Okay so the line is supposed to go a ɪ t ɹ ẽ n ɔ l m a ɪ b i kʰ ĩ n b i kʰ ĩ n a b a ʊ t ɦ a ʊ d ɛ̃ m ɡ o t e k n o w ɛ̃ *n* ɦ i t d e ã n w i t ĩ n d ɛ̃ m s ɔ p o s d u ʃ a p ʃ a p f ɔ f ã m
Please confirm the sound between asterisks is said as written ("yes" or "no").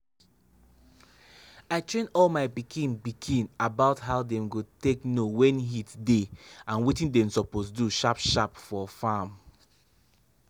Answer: yes